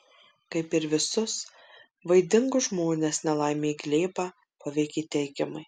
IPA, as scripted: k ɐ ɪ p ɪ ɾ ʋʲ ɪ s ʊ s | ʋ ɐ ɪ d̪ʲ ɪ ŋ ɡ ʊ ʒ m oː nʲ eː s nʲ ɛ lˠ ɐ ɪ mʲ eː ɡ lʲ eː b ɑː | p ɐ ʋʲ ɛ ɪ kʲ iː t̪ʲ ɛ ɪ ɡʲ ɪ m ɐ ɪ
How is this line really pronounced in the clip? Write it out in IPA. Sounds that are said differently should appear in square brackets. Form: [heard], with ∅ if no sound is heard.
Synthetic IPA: k ɐ ɪ p ɪ ɾ ʋʲ ɪ s ʊ s | ʋ ɐ ɪ d̪ʲ ɪ ŋ ɡ ʊ ʒ m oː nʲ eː s nʲ ɛ lˠ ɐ ɪ mʲ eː ɡ lʲ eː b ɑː | p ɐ ʋʲ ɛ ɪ kʲ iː t̪ʲ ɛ ɪ ɡʲ ɪ m ɐ ɪ